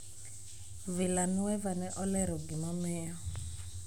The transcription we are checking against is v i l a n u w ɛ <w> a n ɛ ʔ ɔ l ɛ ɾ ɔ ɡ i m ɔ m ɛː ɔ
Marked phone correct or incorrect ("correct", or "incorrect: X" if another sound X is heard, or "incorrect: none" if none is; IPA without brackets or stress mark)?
incorrect: v